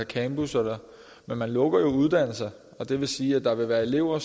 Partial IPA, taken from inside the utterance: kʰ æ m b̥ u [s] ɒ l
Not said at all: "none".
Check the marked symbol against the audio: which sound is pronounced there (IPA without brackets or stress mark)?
s